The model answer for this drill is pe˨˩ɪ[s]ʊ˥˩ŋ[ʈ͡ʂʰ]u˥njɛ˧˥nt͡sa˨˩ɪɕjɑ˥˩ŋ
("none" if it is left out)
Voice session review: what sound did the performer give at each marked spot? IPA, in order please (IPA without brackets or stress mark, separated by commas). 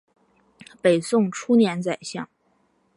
s, ʈ͡ʂʰ